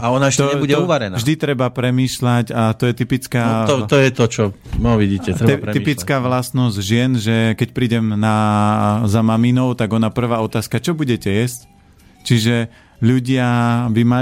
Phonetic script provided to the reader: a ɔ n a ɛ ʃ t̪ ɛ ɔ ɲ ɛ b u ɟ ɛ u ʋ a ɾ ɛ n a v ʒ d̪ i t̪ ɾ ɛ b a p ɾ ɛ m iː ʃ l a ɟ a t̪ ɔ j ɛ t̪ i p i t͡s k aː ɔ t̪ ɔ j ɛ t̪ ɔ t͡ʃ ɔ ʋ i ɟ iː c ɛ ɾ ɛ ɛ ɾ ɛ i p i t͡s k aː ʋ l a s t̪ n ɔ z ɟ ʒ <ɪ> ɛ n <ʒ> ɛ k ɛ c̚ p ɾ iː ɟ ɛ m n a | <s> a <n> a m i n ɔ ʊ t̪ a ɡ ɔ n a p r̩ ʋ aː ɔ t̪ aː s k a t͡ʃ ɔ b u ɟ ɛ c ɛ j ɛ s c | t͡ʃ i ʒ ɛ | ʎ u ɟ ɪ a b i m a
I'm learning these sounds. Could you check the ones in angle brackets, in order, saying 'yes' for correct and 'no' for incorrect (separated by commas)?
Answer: yes, yes, no, no